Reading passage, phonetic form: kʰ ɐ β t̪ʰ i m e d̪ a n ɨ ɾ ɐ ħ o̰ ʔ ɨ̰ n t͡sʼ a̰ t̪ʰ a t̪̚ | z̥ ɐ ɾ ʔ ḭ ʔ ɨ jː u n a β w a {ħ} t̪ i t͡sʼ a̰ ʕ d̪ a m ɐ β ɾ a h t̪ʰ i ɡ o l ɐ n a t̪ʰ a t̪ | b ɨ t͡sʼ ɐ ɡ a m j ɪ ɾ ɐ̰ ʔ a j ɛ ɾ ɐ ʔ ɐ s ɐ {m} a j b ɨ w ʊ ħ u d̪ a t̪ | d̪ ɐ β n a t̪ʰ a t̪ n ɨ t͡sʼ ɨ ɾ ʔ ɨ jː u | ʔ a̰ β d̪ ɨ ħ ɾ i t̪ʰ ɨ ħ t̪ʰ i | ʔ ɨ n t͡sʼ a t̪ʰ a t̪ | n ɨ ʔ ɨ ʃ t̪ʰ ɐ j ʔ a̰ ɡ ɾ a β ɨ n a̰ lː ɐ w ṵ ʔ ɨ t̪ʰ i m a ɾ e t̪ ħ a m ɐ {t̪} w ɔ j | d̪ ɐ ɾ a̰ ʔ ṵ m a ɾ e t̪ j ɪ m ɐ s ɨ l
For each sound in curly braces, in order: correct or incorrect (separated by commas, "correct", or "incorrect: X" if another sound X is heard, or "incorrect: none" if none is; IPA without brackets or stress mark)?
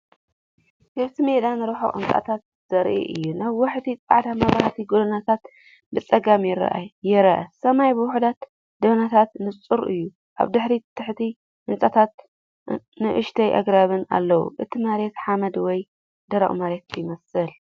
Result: correct, correct, incorrect: d̪